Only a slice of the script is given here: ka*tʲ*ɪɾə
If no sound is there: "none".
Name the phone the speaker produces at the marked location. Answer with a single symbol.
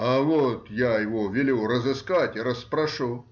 tʲ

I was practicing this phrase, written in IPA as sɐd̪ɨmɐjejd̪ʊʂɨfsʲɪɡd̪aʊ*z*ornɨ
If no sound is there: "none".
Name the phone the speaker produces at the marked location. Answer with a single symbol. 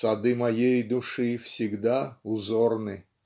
z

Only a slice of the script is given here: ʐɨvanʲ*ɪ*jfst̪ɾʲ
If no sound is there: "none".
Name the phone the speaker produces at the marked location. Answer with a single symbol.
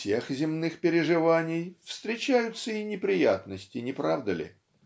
ɪ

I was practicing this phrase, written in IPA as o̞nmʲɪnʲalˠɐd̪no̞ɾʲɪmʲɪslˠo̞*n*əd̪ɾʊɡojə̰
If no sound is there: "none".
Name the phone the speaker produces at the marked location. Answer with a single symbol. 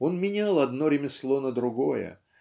n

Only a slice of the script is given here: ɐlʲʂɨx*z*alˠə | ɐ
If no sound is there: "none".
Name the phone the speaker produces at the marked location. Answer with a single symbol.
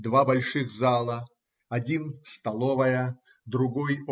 z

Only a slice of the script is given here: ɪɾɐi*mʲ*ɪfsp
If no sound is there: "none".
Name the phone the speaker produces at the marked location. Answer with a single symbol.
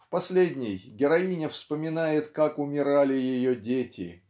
nʲ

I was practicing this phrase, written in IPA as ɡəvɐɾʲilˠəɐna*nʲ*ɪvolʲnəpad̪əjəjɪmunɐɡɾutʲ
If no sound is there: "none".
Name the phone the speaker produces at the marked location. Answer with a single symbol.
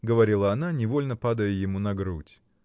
nʲ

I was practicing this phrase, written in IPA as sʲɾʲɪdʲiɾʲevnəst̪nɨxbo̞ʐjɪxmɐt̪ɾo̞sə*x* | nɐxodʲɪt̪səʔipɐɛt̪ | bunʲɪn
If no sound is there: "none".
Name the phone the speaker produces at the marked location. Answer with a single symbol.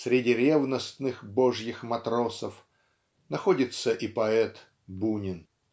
f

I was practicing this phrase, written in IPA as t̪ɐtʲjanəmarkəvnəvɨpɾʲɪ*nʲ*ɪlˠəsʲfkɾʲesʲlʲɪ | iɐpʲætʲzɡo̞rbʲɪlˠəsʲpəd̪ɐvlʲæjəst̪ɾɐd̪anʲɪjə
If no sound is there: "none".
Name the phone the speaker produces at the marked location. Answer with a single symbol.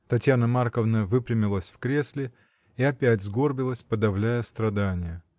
mʲ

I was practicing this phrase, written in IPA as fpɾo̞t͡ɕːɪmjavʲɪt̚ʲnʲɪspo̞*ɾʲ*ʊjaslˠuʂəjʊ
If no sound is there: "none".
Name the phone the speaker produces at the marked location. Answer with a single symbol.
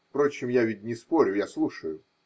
ɾʲ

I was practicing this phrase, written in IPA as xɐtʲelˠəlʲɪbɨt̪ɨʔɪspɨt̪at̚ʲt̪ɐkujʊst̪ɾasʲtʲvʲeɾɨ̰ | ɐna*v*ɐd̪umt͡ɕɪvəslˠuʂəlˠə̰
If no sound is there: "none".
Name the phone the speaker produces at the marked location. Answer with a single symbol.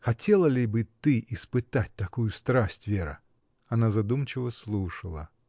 z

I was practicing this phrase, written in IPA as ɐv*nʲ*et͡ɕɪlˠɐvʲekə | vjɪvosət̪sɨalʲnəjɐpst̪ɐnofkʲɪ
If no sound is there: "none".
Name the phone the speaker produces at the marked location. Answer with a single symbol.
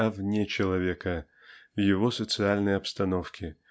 nʲ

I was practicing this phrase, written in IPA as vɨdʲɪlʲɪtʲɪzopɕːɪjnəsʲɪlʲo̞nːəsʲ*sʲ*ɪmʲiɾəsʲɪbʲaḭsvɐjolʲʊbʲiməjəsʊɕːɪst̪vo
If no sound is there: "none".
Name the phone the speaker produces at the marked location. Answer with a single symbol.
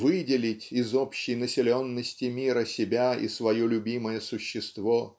tʲ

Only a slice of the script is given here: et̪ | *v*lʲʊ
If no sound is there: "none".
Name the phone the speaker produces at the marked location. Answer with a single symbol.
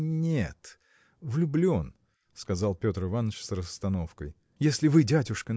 v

